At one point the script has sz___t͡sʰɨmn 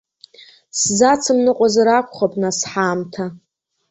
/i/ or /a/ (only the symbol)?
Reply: a